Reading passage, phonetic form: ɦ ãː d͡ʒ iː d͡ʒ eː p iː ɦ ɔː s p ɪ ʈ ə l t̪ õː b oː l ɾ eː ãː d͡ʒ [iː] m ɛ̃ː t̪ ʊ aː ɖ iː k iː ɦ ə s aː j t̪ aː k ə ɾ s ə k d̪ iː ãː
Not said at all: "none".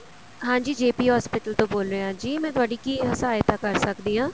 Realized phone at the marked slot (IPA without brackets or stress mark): iː